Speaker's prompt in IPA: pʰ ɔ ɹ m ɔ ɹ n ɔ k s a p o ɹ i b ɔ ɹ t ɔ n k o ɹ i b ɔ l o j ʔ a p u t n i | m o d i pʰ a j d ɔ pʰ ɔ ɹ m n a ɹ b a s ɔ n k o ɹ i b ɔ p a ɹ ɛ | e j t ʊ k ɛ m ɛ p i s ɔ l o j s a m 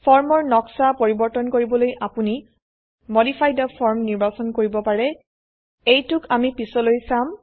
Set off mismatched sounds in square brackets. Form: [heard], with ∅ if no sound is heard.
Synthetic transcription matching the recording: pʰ ɔ ɹ m ɔ ɹ n ɔ k s a p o ɹ i b ɔ ɹ t ɔ n k o ɹ i b ɔ l o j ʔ a p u [∅] n i | m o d i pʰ a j d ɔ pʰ ɔ ɹ m n [i] ɹ b a s ɔ n k o ɹ i b ɔ p a ɹ ɛ | e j t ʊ k [a] m [i] p i s ɔ l o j s a m